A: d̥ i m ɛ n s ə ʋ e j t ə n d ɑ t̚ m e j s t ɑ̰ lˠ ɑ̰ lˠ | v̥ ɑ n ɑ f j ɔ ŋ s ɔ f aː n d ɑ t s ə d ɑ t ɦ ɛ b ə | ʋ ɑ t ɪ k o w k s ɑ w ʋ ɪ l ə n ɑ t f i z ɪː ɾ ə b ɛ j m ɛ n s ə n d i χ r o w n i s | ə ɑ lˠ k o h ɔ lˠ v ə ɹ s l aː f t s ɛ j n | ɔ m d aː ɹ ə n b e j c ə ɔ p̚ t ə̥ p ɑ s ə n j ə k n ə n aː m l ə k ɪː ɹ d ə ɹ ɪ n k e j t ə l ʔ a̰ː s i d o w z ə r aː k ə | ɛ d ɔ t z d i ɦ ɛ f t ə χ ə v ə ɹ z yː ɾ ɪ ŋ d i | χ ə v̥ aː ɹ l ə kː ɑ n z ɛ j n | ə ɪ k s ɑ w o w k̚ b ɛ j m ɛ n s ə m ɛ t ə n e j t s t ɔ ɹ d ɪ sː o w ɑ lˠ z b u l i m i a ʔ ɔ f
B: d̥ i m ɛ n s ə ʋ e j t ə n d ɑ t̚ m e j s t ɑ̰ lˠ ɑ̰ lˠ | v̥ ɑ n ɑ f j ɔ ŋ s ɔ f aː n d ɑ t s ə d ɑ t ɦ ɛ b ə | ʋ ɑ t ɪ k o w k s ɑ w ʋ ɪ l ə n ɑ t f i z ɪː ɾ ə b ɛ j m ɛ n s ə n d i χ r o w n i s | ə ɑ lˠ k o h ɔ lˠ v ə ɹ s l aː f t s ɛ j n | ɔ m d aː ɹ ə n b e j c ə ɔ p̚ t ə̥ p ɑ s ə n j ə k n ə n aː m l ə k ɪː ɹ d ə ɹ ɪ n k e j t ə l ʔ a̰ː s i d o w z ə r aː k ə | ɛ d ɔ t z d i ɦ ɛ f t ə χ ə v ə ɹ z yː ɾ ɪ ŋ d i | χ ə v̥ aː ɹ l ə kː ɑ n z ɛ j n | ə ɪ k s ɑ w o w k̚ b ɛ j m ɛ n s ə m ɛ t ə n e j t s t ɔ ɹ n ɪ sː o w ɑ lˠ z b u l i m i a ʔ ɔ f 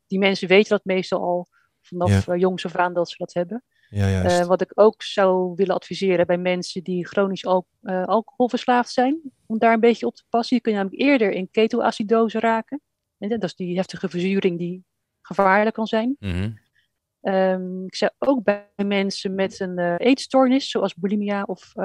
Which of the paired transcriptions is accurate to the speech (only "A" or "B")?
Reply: B